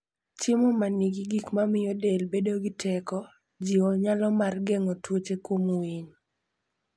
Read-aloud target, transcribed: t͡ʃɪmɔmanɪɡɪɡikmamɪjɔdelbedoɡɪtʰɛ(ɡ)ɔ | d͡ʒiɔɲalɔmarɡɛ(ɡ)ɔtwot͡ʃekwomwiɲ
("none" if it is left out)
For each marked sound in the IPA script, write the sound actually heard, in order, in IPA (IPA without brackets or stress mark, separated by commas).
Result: k, ŋ